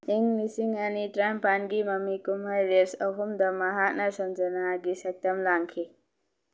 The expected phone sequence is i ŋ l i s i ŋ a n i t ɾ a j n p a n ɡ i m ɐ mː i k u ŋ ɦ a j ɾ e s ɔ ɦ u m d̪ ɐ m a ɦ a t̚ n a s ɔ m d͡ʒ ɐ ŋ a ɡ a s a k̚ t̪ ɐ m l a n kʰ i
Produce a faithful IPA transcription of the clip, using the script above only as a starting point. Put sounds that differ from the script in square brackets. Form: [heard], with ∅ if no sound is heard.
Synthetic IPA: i ŋ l i s i ŋ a n i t ɾ a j [m] p a n ɡ i m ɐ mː i k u [m] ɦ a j ɾ e s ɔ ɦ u m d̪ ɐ m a ɦ a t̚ n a s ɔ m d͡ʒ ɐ [n] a ɡ [i] s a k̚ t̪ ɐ m l a [ŋ] kʰ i